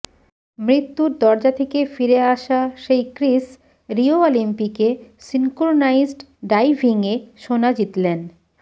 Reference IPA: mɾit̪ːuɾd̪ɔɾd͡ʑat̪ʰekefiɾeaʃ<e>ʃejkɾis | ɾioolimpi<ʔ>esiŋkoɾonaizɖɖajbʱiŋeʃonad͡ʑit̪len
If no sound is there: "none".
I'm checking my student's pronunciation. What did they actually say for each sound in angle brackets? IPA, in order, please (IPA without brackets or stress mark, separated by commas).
a, k